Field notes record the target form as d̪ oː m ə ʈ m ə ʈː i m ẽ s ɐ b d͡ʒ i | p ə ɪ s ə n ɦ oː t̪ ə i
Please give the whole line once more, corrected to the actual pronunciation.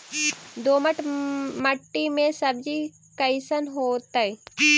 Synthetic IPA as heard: d̪ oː m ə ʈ m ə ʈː i m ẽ s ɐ b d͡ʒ i | k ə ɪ s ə n ɦ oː t̪ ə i